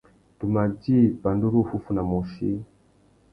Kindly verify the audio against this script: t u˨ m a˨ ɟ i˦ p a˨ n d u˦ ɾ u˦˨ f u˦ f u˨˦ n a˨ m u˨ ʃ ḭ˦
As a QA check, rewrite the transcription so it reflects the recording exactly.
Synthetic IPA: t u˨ m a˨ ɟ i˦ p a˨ n d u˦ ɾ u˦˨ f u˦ f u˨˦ n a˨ m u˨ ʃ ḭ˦